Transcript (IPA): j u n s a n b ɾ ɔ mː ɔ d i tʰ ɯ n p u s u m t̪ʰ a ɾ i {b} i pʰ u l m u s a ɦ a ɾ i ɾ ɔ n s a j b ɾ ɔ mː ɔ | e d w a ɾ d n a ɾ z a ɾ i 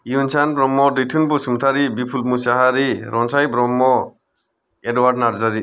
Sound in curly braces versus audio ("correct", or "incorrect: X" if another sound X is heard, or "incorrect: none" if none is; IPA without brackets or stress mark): correct